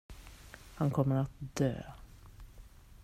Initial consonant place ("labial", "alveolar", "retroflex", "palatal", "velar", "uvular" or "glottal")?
glottal